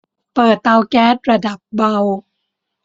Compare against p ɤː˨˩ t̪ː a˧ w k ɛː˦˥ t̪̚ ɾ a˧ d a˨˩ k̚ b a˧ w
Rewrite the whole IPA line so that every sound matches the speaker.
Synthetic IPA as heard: p ɤː˨˩ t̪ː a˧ w k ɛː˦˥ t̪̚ ɾ a˧ d a˨˩ p̚ b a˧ w